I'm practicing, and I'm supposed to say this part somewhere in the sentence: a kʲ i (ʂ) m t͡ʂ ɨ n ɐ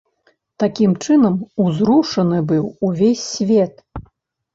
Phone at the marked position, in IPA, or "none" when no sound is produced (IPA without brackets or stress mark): none